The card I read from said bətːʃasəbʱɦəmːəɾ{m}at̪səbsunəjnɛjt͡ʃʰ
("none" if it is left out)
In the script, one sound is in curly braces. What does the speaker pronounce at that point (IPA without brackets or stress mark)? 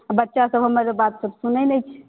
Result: b